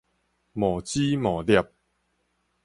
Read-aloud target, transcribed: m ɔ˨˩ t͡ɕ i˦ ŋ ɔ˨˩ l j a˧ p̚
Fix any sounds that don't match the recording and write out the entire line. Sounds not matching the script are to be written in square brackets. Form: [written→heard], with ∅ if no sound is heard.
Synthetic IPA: m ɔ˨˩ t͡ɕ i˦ [ŋ→m] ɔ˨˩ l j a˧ p̚